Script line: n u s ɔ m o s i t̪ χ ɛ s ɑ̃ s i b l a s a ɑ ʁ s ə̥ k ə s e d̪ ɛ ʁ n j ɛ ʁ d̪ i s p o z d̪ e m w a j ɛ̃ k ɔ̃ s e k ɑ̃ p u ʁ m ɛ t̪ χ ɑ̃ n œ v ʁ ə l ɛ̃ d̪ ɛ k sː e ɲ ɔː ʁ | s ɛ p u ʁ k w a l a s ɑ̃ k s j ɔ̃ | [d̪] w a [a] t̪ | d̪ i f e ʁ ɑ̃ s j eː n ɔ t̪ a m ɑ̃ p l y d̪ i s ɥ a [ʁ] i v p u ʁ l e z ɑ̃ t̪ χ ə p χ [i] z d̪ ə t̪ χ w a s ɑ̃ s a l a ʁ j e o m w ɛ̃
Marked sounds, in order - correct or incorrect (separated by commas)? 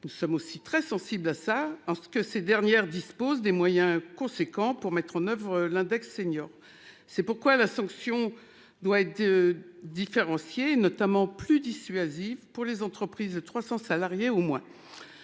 correct, incorrect, incorrect, correct